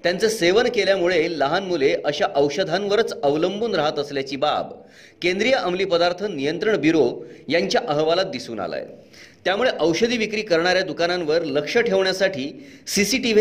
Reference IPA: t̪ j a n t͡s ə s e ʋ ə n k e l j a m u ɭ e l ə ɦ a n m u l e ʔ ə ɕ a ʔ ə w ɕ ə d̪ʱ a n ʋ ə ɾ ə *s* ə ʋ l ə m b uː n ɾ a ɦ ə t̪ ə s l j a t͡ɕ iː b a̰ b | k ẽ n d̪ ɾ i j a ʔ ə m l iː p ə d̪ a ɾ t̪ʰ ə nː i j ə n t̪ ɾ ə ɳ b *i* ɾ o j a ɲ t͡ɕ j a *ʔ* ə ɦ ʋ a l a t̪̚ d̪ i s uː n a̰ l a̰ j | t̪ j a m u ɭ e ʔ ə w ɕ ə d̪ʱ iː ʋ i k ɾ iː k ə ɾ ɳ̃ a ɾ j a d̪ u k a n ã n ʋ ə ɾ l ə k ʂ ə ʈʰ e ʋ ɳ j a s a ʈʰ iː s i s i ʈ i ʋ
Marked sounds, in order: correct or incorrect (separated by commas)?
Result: incorrect, correct, correct